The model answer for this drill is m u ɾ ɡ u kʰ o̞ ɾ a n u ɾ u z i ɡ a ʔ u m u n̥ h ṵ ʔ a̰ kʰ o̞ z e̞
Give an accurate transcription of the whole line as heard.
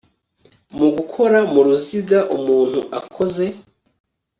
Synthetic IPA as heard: m u ɡ u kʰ o̞ ɾ a m u ɾ u z i ɡ a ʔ u m uː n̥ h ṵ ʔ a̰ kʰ o̞ z e̞